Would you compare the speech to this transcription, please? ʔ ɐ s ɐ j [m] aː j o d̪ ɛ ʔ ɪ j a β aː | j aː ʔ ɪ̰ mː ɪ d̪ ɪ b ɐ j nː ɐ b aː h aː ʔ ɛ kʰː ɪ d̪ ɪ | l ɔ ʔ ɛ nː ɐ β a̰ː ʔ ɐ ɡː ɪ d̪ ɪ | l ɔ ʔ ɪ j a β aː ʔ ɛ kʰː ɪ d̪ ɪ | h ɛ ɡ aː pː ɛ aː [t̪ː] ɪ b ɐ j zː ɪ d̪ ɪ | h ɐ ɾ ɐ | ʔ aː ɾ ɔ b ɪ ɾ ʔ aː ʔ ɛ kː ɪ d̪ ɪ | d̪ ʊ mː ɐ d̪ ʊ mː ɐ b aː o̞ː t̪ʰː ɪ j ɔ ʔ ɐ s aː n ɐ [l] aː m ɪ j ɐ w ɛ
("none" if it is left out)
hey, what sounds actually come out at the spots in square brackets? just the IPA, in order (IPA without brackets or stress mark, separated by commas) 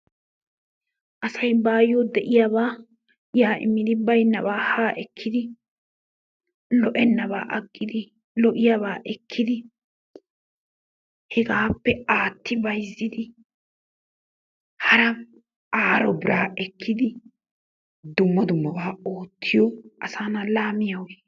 b, t̪ː, l